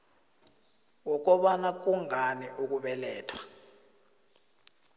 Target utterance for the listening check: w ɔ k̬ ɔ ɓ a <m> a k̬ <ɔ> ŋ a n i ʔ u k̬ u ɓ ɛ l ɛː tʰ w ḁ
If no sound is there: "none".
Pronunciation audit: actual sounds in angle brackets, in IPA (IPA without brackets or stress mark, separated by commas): n, u